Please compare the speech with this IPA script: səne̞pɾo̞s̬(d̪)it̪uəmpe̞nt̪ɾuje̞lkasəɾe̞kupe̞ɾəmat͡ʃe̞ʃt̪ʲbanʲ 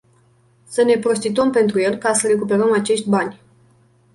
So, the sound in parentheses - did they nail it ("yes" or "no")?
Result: no